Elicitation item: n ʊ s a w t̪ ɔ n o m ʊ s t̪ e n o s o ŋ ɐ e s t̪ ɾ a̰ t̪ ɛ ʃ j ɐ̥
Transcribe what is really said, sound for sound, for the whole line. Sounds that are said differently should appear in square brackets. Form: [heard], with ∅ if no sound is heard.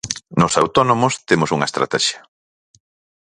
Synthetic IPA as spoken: n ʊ s a w t̪ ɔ n o m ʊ s t̪ e [m] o s [u] ŋ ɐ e s t̪ ɾ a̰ t̪ ɛ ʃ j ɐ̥